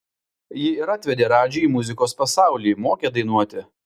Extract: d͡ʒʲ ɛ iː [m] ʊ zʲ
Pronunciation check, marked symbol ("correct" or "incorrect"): correct